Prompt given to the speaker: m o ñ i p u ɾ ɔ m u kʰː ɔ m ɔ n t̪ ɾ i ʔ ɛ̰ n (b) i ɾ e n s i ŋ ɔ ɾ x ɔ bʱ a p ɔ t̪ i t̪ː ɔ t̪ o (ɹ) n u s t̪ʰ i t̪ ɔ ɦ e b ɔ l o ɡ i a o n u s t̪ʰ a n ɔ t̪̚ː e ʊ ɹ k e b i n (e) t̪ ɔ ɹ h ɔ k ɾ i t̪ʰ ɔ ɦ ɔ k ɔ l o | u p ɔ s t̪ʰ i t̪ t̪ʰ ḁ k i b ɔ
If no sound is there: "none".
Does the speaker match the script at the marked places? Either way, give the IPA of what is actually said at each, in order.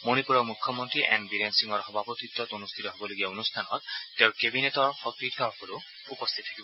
b, none, e

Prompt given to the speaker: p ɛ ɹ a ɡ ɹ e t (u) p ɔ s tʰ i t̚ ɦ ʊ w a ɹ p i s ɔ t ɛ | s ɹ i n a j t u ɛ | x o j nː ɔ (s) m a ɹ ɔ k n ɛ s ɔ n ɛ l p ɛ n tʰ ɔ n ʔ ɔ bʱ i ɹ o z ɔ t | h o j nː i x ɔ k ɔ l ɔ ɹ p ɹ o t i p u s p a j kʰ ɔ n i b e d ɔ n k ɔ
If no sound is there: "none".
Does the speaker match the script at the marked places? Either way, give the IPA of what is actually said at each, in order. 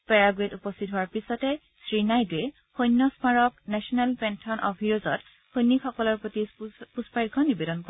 u, s

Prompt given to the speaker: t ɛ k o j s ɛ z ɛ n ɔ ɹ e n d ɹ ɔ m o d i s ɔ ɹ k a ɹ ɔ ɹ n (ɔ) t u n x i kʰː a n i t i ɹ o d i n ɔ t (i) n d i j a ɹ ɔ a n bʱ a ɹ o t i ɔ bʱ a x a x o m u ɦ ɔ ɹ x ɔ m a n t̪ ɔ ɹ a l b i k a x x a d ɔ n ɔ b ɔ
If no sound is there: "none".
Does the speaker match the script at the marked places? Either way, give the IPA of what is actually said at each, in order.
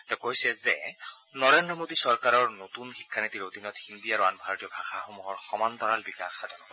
o, i

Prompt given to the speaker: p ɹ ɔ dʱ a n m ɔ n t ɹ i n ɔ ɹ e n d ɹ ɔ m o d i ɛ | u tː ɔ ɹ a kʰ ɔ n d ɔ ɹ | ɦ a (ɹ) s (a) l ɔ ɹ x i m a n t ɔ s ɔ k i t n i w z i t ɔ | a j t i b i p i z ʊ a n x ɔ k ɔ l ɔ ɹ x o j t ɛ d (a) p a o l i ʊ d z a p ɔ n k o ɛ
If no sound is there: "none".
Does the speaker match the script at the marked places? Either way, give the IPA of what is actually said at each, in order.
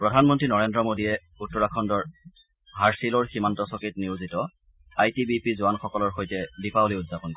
ɹ, i, i

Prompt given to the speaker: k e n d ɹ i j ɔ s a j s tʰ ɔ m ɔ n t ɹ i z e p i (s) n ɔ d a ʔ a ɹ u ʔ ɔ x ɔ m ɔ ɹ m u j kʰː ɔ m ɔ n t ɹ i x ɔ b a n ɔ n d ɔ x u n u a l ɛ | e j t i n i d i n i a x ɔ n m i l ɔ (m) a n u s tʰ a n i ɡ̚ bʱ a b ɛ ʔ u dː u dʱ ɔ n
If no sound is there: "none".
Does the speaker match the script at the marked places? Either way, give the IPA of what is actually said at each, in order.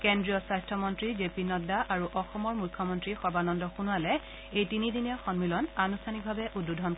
none, n

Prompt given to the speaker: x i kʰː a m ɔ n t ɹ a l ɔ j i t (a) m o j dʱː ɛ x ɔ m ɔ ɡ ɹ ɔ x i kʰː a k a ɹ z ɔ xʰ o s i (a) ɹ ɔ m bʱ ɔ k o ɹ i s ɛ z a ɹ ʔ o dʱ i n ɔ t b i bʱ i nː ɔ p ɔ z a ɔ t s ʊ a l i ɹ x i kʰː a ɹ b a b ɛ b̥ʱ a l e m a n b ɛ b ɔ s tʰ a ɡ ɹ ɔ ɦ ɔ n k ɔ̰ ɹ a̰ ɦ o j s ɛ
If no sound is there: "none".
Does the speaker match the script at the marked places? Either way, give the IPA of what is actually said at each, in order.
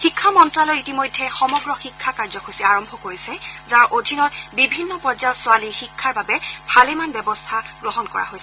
i, a

